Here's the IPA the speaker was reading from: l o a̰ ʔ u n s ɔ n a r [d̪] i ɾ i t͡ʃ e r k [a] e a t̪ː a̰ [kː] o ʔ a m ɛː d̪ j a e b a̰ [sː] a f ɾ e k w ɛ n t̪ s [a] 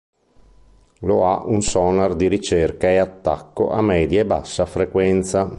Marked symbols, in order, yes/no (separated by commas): yes, yes, yes, yes, yes